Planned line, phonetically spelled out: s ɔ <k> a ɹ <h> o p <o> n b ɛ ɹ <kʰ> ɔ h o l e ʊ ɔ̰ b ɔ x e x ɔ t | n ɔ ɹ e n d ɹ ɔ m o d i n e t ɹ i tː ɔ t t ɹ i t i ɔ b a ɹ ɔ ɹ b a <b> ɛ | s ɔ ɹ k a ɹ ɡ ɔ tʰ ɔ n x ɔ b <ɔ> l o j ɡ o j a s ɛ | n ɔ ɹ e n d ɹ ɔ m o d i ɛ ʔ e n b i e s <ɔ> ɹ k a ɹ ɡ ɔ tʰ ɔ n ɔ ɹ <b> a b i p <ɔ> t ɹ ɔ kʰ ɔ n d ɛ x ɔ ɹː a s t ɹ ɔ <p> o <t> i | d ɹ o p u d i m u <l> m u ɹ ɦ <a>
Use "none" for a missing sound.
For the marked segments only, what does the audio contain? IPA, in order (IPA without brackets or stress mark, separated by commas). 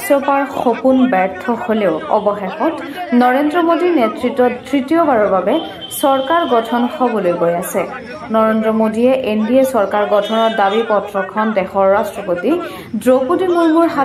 p, x, u, tʰ, b, ɔ, ɔ, d, ɔ, p, t, ɹ, a